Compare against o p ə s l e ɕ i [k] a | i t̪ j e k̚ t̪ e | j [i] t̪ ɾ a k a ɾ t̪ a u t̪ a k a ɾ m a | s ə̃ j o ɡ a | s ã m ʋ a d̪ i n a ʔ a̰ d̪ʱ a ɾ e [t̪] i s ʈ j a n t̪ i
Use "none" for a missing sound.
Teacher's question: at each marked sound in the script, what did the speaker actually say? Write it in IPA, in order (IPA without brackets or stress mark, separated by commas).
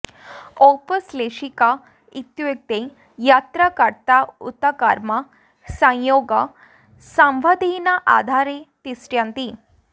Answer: k, a, t̪